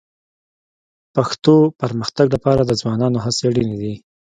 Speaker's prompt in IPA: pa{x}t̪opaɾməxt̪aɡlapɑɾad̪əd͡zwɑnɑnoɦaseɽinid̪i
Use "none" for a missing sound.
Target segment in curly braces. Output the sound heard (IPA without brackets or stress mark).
x